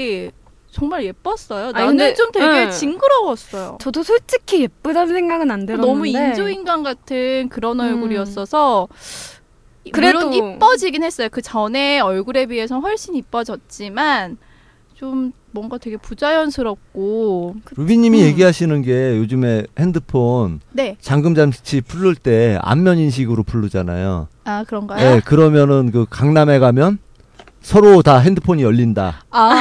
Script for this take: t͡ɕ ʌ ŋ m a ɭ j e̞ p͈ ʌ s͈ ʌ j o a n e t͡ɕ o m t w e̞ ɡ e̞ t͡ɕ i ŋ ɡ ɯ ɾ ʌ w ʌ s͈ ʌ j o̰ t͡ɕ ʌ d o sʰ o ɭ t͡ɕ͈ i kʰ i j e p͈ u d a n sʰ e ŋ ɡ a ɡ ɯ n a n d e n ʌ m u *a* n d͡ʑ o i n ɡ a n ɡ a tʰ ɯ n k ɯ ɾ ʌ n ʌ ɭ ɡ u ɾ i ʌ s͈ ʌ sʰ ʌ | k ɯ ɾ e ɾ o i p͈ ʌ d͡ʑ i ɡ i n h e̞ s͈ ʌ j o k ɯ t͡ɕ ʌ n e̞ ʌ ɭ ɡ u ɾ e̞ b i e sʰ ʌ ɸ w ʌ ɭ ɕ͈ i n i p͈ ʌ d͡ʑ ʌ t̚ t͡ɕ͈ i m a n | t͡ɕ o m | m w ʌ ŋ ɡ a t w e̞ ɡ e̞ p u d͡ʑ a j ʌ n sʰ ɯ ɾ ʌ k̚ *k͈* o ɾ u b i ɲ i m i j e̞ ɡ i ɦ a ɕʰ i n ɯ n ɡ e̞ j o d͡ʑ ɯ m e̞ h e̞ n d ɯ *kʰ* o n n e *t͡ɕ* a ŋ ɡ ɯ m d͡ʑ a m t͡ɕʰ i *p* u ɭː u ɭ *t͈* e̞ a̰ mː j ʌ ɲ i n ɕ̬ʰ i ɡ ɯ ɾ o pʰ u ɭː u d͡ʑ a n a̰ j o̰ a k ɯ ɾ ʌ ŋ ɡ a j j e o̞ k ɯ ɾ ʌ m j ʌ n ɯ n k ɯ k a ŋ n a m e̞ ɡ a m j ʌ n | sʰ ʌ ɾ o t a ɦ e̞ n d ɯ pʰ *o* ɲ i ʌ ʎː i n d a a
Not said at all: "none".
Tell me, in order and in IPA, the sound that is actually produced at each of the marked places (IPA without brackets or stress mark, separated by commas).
i, k͈, pʰ, t͡ɕ, pʰ, t͈, o